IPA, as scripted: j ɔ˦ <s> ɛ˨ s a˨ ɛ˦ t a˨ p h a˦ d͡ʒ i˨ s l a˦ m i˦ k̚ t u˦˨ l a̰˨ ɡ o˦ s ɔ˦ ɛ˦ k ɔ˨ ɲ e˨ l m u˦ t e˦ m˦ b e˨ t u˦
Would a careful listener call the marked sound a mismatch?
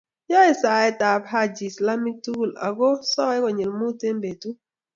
yes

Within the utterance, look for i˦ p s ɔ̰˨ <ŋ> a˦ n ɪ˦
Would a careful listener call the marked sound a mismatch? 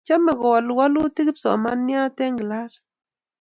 yes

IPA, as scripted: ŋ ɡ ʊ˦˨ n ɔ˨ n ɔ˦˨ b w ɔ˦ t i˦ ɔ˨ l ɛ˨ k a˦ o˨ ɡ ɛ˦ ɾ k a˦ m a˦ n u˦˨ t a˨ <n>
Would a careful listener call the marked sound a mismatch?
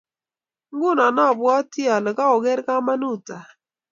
yes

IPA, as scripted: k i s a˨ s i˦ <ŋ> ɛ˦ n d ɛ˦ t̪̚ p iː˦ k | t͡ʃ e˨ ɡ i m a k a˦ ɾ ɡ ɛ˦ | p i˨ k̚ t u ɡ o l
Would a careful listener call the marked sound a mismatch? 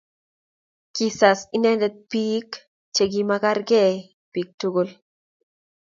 yes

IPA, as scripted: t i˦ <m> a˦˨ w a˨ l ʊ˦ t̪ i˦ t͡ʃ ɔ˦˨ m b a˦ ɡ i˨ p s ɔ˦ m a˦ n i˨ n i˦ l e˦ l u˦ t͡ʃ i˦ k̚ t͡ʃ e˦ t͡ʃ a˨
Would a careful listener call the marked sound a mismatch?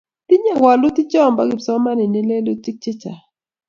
yes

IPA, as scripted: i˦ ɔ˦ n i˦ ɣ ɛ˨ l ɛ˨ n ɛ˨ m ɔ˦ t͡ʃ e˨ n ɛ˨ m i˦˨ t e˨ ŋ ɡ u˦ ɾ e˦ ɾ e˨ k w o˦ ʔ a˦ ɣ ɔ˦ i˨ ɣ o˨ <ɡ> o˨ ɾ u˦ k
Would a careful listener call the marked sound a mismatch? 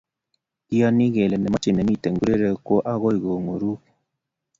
yes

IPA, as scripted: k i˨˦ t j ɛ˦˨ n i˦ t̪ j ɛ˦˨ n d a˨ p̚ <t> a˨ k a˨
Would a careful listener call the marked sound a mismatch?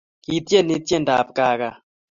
yes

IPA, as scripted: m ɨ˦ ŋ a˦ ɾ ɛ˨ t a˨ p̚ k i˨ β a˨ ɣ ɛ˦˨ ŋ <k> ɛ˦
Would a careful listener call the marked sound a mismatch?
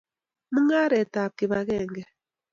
yes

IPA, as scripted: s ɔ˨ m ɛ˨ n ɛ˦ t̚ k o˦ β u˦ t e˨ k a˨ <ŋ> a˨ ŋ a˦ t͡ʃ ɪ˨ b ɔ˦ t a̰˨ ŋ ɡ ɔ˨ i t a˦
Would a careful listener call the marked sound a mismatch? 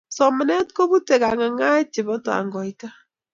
no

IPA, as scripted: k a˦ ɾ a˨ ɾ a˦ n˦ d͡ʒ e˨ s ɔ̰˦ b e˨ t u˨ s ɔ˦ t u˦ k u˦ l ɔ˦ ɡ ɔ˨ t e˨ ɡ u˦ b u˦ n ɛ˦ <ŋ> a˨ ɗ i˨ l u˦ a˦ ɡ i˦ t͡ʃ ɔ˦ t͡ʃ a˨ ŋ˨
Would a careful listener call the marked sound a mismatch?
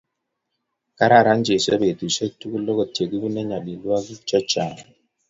yes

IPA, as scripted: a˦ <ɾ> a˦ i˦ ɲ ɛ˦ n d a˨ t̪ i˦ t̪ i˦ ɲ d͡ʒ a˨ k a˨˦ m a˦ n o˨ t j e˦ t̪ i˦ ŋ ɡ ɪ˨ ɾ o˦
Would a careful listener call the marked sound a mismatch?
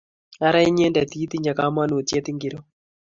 no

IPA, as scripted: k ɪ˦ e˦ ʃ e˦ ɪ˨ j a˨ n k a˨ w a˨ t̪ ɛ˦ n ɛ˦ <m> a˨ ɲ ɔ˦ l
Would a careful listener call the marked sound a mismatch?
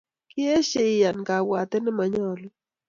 no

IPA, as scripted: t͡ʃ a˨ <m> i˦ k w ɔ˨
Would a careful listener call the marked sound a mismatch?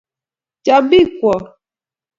yes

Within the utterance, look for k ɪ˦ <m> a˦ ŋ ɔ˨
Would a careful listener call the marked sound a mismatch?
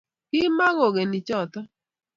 no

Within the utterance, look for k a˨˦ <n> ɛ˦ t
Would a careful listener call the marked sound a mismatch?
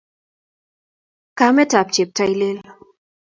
yes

